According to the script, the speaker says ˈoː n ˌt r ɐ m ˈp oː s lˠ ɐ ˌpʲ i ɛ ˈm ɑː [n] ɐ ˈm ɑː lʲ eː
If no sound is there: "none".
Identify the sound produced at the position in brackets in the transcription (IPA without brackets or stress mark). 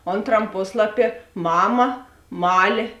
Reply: m